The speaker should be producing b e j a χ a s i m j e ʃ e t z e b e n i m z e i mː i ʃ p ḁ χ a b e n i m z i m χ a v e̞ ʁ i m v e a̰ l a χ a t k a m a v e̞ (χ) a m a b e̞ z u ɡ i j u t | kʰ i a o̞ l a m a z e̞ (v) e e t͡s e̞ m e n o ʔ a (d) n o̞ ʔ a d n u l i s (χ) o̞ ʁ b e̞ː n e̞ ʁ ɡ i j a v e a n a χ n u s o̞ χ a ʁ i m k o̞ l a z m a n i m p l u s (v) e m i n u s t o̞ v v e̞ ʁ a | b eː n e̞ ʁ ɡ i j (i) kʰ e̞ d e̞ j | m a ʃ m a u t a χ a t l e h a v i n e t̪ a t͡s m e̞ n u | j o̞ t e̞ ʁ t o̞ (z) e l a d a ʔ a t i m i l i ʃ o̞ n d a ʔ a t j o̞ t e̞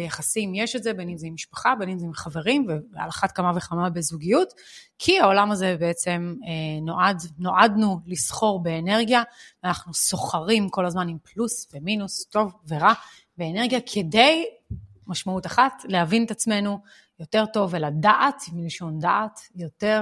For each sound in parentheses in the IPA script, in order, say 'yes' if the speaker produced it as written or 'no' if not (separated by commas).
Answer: yes, no, yes, yes, yes, no, no